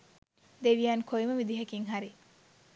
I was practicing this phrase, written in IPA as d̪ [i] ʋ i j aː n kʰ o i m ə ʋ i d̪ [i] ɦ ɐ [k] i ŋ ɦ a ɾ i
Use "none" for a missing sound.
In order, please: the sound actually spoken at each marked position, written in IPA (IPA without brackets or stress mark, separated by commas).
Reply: e, i, k